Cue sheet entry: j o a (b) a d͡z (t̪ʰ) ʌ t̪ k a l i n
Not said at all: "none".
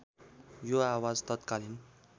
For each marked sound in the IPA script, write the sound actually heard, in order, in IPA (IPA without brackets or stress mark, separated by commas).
w, t̪